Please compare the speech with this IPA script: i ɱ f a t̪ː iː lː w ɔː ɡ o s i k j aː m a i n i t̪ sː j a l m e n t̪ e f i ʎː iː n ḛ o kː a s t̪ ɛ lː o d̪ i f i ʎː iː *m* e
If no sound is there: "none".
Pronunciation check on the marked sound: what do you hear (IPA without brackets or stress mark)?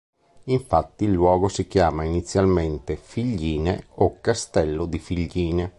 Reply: n